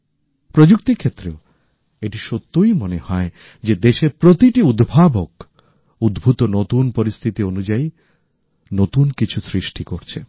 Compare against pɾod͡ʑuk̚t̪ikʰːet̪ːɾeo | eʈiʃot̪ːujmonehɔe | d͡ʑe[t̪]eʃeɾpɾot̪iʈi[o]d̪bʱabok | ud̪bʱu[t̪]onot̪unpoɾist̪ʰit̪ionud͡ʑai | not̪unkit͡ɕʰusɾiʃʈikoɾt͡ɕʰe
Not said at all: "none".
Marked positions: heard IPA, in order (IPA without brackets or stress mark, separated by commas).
d̪, u, t̪